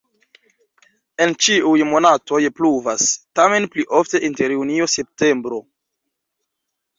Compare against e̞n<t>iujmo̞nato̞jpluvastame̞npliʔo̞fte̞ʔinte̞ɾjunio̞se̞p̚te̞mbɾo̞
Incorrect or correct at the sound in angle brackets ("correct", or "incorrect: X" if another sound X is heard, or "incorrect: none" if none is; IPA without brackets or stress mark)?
incorrect: t͡ʃ